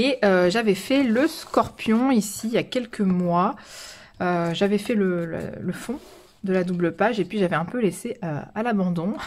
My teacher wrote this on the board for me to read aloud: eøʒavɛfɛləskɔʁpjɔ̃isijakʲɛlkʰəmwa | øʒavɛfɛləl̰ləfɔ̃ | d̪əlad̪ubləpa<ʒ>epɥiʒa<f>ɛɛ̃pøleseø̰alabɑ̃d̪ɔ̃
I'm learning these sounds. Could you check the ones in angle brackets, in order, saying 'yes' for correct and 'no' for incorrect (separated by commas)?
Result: yes, no